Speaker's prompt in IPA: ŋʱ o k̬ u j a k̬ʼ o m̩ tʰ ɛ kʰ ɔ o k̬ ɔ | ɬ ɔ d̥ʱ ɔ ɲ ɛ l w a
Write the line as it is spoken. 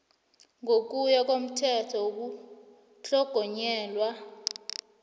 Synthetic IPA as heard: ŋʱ o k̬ u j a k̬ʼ o m̩ tʰ ɛ tʰ ɔ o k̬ u | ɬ ɔ ɡ̥ʱ ɔ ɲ ɛː l w a